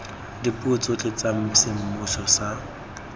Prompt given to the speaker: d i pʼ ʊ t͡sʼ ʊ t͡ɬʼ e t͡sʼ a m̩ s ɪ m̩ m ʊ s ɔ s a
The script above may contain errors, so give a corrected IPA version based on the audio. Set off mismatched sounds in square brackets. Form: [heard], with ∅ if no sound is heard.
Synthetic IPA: d i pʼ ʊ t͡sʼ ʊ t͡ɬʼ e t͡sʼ a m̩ s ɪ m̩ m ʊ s ɔ s a

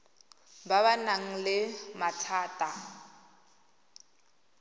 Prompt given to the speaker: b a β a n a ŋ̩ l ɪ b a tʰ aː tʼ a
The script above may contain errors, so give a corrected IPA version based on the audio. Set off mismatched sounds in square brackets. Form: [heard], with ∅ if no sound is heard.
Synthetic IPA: b a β a n a ŋ̩ l ɪ [m] a tʰ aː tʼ a

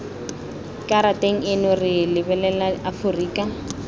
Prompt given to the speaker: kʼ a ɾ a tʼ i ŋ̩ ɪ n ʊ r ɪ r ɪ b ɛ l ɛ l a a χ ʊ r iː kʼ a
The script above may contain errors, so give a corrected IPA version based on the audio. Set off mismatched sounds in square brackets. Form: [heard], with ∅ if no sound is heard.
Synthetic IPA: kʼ a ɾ a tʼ [e] ŋ̩ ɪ n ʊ r ɪ [l] ɪ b ɛ l ɛ l a a [f] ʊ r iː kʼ a

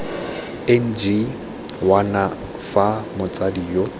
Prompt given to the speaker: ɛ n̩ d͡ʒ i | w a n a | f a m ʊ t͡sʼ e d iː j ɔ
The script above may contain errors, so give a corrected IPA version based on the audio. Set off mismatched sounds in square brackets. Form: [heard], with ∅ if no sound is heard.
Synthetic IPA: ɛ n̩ d͡ʒ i | w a n a | f a m ʊ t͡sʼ [a] d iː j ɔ

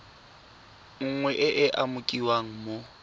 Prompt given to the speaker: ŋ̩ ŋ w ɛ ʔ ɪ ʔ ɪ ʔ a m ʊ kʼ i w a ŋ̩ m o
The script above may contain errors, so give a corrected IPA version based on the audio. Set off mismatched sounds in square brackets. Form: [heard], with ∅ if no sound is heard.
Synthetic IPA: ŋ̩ ŋ w ɛ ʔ ɪ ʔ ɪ ʔ a m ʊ kʼ i w a ŋ̩ m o

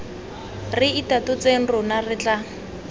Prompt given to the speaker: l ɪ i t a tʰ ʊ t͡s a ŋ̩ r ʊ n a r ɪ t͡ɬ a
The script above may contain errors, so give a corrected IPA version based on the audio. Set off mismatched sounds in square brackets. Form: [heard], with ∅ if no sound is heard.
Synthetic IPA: [r] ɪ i t a [t] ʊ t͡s [e] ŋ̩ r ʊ n a r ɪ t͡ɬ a

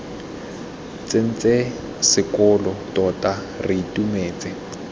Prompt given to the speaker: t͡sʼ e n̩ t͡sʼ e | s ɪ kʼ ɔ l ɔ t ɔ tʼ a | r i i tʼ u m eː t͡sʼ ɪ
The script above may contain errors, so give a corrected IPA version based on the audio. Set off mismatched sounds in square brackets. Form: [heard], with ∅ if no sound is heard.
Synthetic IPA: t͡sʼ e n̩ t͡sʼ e | s ɪ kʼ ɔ l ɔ t ɔ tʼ a | r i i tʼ u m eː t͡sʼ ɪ

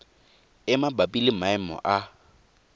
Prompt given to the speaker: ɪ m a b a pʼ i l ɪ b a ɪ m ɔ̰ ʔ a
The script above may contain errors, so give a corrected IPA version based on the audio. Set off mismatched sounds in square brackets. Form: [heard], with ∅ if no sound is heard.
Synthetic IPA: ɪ m a b a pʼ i l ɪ [m] a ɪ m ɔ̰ ʔ a

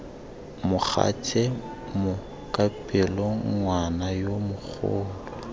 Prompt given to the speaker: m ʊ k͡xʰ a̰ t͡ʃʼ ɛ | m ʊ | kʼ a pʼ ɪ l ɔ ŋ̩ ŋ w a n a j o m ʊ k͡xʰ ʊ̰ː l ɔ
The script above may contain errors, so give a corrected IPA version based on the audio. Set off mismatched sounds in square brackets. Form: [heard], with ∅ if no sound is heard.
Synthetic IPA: m ʊ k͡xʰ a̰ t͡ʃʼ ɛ | m ʊ | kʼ a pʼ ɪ l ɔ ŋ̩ ŋ w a n a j o m ʊ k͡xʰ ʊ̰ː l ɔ

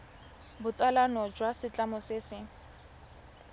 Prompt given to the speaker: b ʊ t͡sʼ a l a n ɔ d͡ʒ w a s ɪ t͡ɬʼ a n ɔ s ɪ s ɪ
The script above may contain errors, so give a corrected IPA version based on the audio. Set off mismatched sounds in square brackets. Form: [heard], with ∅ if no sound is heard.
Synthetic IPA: b ʊ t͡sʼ a l a n ɔ d͡ʒ w a s ɪ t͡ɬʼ a [m] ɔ s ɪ s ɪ

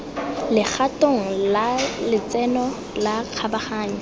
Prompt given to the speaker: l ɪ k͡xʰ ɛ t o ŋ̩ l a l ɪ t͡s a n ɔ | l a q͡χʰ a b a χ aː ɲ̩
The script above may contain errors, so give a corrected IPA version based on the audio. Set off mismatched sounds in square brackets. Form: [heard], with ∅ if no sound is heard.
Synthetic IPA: l ɪ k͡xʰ [a] t o ŋ̩ l a l ɪ t͡s [ɛ] n ɔ | l a q͡χʰ a b a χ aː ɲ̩

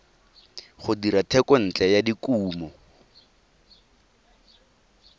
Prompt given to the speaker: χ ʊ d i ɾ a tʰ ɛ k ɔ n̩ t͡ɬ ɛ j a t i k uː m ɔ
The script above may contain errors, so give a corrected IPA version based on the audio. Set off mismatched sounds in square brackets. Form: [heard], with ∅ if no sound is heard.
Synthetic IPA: χ ʊ d i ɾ a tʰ ɛ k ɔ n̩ t͡ɬ ɛ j a [d] i k uː m ɔ

